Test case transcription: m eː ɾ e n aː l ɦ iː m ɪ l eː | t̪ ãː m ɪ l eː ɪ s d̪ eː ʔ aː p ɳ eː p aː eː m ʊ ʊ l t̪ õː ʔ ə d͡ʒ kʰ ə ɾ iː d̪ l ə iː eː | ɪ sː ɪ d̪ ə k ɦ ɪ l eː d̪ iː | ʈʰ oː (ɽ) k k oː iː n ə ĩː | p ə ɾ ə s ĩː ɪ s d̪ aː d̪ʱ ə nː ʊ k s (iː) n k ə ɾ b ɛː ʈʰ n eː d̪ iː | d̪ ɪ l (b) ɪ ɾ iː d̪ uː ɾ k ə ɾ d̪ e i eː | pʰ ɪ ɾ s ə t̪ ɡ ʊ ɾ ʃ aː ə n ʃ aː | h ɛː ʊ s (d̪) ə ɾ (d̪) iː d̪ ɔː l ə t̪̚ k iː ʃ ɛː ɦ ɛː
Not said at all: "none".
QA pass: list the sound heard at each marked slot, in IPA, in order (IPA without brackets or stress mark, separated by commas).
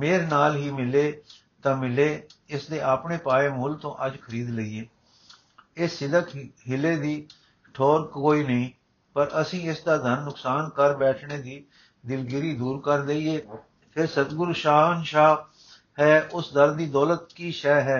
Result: ɾ, aː, ɡ, d̪, d̪